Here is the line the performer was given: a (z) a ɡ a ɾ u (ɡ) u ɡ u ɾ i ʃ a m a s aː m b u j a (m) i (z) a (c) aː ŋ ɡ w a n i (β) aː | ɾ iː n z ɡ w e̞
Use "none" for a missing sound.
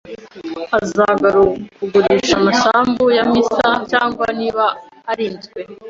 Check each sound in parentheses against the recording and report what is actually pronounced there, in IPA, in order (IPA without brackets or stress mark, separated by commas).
z, k, m, s, c, β